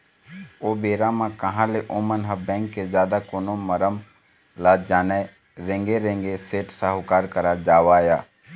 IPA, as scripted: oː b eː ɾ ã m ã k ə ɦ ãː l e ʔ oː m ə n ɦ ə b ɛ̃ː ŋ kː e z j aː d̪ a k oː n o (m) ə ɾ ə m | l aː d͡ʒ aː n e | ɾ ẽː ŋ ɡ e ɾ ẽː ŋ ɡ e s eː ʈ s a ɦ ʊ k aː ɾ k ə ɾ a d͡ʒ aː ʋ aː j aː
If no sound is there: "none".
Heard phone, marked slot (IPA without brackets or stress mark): m